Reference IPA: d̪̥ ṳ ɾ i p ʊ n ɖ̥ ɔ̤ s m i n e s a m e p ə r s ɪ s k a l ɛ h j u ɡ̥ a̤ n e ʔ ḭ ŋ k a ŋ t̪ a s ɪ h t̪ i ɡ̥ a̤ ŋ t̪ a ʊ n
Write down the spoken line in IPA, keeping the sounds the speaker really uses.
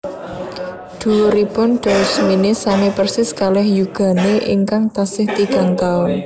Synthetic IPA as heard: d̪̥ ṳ ɾ i p ʊ n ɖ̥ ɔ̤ s m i n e s a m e p ə r s ɪ s k a l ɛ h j u ɡ̥ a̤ n e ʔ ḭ ŋ k a ŋ t̪ a s ɪ h t̪ i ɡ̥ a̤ ŋ t̪ a ʊ n